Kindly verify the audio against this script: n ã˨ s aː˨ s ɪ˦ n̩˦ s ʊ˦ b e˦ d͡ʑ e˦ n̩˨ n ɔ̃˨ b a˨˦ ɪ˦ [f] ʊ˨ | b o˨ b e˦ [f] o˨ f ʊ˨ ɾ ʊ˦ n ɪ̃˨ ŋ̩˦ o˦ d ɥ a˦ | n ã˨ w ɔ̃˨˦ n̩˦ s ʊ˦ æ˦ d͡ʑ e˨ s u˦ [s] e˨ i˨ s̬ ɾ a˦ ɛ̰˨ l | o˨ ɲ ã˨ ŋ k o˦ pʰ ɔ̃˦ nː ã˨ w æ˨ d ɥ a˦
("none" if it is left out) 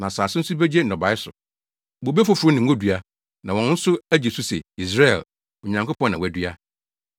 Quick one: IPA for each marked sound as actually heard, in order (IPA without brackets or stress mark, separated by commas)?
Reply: s, f, s